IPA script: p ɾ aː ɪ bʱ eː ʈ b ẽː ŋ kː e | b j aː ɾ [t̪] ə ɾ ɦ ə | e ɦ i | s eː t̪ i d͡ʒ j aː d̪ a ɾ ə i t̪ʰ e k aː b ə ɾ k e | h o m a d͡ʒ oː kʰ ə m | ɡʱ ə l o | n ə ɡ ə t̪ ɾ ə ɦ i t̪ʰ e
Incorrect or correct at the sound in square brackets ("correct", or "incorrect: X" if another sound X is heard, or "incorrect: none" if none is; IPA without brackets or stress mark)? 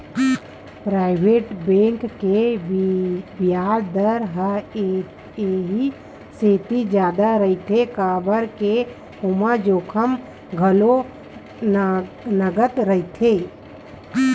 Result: incorrect: d̪